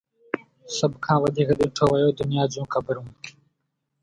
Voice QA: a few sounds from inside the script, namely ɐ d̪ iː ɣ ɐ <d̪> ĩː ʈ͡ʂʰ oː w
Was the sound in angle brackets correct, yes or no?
yes